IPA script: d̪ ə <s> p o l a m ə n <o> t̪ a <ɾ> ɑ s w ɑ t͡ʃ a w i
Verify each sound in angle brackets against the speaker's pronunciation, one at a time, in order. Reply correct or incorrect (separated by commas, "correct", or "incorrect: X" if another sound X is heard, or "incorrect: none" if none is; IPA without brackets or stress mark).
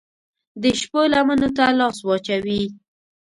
incorrect: ʃ, correct, incorrect: l